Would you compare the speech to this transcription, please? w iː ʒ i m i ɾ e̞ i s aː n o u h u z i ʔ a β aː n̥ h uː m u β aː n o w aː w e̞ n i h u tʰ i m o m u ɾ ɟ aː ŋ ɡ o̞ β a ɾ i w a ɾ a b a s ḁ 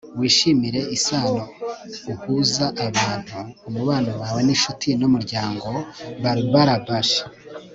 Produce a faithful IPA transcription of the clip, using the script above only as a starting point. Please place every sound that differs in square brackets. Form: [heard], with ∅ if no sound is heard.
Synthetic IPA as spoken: w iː [ʃ] i m i ɾ e̞ i s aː n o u h u z [a] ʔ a β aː n̥ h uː m u β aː n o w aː w e̞ n i [ʃ] u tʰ i [n] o m u ɾ ɟ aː ŋ ɡ o̞ β a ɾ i [β] a ɾ a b a [ʃ] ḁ